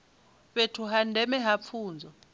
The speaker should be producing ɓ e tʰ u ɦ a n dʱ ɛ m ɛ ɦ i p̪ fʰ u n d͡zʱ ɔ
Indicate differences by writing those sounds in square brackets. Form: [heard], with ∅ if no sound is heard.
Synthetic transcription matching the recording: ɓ e tʰ u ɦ a n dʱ ɛ m ɛ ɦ [a] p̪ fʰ [uː] n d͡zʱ ɔ